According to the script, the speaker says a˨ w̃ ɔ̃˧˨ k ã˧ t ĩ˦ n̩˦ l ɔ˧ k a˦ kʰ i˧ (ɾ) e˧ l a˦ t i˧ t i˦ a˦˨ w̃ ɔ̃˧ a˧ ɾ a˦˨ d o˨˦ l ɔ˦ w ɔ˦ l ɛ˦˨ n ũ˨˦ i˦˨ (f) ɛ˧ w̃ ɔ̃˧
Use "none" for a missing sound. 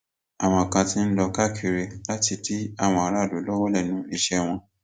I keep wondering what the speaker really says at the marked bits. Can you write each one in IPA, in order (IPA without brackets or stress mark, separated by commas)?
ɾ, ʃ